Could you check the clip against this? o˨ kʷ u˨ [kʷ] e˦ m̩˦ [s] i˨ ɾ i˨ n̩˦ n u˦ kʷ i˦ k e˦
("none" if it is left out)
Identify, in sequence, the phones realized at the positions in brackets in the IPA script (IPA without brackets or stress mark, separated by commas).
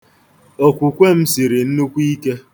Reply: kʷ, s